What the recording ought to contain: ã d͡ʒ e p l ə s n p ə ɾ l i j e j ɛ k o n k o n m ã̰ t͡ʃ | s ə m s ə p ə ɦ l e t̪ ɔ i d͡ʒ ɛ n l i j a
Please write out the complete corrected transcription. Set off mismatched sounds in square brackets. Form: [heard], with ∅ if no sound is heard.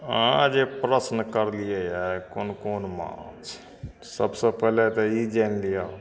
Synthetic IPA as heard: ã d͡ʒ e p [ɾ] ə s n [k] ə ɾ l i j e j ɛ k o n k o n m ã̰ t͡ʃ | s ə [b] s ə p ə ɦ l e t̪ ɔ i d͡ʒ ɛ n l i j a